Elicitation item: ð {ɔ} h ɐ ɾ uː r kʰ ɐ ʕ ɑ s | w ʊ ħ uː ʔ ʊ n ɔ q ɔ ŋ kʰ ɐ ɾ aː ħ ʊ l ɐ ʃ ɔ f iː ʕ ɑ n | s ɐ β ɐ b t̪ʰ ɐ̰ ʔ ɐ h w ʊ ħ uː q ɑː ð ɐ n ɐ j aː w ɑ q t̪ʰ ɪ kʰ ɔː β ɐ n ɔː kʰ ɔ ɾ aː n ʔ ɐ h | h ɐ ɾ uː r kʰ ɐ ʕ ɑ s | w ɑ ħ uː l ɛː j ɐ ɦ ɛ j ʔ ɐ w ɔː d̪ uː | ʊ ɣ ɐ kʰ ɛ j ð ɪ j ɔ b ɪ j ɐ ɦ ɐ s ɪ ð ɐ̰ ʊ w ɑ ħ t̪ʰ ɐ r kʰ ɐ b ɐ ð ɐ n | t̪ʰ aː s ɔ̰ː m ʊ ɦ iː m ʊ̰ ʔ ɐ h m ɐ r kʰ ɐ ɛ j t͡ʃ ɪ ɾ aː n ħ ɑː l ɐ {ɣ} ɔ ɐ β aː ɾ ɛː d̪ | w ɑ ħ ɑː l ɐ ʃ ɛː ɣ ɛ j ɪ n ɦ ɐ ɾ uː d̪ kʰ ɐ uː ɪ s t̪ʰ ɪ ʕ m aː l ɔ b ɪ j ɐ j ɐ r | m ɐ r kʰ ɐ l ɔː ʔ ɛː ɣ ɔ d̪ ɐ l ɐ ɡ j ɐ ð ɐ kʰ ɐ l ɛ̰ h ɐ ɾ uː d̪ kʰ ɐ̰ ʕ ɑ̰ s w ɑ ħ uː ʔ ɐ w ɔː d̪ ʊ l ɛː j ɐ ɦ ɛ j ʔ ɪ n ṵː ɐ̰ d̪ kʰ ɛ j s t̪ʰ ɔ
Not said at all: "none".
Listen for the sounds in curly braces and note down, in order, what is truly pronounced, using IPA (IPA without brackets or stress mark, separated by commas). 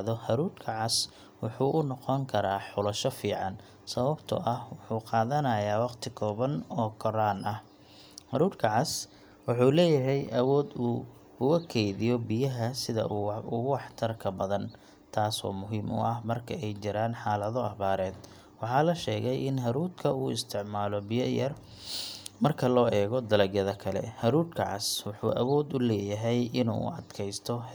ɔ, ð